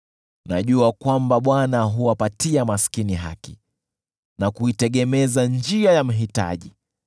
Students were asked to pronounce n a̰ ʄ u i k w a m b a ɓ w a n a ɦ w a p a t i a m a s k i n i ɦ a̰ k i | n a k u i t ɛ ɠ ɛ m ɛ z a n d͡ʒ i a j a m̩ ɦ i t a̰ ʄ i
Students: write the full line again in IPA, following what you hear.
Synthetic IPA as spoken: n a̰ ʄ u a k w a m b a ɓ w a n a ɦ u a p a t i a m a s k i n i ɦ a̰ k i | n a k u i t ɛ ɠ ɛ m ɛ z a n d͡ʒ i a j a m̩ ɦ i t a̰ ʄ i

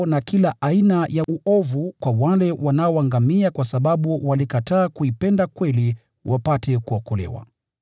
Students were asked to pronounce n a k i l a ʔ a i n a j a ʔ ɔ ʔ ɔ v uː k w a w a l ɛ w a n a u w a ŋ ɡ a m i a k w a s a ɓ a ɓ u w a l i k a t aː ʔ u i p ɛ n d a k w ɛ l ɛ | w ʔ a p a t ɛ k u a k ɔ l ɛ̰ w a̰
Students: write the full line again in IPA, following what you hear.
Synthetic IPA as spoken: n a k i l a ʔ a i n a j a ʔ u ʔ ɔ v u k w a w a l ɛ w a n a ɔ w a ŋ ɡ a m i a k w a s a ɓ a ɓ u w a l i k a t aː k u i p ɛ n d a k w ɛ l i | w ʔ a p a t ɛ k u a k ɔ l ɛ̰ w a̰

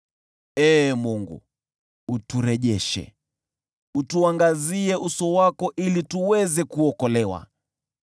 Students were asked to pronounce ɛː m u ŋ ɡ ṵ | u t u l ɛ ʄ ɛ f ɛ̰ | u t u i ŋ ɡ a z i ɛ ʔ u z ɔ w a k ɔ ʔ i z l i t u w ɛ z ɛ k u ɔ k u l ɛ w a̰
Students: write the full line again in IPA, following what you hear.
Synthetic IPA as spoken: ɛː m u ŋ ɡ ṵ | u t u ɾ ɛ ʄ ɛ ʃ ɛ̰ | u t u a ŋ ɡ a z i ɛ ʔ u s ɔ w a k ɔ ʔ i l i t u w ɛ z ɛ k u ɔ k ɔ l ɛ w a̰

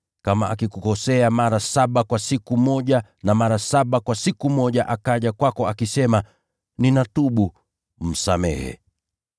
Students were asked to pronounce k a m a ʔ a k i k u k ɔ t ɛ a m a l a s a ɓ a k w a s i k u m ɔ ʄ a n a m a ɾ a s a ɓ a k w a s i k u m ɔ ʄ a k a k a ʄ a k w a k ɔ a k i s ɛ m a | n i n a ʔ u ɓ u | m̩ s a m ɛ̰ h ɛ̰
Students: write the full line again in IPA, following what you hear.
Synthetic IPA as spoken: k a m a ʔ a k i k u k ɔ s ɛ a m a ɾ a s a ɓ a k w a s i k u m ɔ ʄ a n a m a ɾ a s a ɓ a k w a s i k u m ɔ ʄ a ʔ a k a ʄ a k w a k ɔ a k i s ɛ m a | n i n a t u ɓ u | m̩ s a m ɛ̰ h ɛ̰

